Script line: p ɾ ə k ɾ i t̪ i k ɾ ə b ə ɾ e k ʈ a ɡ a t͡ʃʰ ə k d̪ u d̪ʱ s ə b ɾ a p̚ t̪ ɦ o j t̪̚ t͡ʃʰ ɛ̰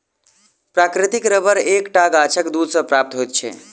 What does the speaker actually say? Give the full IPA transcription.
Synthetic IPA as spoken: p ɾ a k ɾ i t̪ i k ɾ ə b ə ɾ e k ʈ a ɡ a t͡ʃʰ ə k d̪ u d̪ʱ s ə p ɾ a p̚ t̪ ɦ o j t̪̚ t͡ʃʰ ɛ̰

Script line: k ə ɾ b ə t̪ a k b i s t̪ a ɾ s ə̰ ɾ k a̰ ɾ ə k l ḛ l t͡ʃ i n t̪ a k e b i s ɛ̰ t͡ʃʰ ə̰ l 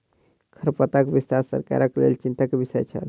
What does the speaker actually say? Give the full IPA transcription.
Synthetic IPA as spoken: kʰ ə ɾ p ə t̪ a k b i s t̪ a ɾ s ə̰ ɾ k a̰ ɾ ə k l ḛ l t͡ʃ i n t̪ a k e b i s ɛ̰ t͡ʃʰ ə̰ l

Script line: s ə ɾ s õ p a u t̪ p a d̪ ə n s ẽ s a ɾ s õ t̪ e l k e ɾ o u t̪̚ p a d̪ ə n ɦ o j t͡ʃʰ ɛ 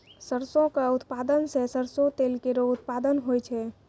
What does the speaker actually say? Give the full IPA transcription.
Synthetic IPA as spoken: s ə ɾ s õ k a u t̪ p a d̪ ə n s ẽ s ə ɾ s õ t̪ e l k e ɾ o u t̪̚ p a d̪ ə n ɦ o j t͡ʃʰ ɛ

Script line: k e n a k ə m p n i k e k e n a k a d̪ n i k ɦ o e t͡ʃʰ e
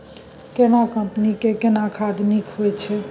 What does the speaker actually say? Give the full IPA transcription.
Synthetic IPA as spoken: k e n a k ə m p n i k e k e n a kʰ a d̪ n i k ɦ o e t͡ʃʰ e

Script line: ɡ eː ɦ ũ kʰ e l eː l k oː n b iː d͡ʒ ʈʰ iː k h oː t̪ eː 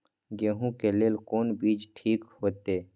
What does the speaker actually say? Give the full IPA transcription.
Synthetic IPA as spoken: ɡ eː ɦ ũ k e l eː l k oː n b iː d͡ʒ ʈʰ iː k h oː t̪ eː

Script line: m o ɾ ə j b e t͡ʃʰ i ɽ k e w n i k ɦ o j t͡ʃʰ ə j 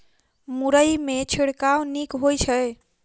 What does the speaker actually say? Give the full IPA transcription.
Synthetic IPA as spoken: m u ɾ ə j m e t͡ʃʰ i ɽ k a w n i k ɦ o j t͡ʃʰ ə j

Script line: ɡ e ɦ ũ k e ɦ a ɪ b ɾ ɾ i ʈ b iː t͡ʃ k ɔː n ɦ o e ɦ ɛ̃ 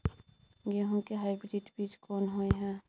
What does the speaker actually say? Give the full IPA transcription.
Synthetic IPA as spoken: ɡ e ɦ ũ k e ɦ a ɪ b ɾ ɾ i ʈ b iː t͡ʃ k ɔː n ɦ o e ɦ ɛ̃

